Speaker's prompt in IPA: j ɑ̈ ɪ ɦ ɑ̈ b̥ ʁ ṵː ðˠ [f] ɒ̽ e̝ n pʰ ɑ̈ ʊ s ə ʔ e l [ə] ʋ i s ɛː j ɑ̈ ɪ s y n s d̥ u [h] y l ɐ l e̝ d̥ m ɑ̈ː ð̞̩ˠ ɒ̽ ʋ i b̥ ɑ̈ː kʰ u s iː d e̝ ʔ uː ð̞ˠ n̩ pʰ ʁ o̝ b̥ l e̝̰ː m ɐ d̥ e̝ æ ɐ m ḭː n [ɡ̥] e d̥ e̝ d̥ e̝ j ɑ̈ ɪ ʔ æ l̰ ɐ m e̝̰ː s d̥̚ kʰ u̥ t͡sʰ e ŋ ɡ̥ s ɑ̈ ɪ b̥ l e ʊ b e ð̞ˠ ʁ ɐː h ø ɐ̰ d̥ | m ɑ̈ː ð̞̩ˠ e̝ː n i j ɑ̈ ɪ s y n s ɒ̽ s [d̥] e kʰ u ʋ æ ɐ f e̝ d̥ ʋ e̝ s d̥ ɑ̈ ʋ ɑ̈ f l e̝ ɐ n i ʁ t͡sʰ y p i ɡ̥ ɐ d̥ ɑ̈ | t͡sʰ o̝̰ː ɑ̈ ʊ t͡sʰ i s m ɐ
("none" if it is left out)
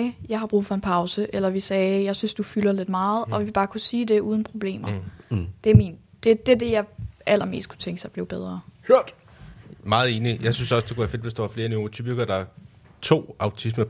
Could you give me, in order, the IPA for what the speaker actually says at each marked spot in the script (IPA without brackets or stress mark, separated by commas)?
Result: f, ɐ, f, d̥, d̥